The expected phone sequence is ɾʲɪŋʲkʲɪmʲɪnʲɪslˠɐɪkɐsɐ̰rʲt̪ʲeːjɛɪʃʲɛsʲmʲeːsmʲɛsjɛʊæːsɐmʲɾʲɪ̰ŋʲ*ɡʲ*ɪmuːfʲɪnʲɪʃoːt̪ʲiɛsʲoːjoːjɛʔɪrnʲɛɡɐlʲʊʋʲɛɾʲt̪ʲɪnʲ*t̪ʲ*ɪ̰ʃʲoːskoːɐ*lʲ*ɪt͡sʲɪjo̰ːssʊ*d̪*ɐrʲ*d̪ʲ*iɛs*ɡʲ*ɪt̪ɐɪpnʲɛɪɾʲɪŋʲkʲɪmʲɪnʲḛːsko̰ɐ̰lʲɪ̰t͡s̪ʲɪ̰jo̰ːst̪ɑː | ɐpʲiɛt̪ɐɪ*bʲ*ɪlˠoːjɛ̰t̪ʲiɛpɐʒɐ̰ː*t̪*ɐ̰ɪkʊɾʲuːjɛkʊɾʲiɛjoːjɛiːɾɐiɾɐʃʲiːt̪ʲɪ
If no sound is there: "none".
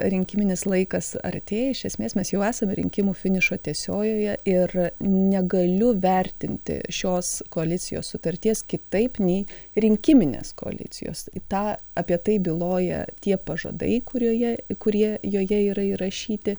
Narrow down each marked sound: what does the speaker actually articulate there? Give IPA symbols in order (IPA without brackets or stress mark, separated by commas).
kʲ, t̪ʲ, lʲ, t̪, t̪ʲ, kʲ, bʲ, d̪